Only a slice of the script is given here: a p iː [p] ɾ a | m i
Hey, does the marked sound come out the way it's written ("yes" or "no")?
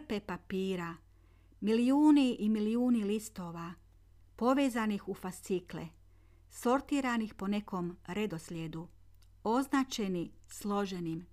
no